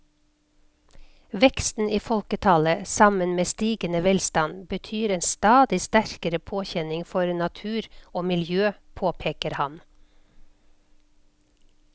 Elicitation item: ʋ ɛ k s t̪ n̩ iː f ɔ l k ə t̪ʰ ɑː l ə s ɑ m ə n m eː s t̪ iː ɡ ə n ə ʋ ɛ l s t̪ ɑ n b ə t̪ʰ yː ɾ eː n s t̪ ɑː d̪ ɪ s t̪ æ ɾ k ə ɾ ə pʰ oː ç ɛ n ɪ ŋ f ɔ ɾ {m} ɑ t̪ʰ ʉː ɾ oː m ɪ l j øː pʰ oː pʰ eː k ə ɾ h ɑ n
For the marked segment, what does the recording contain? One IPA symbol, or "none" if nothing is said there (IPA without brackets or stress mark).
n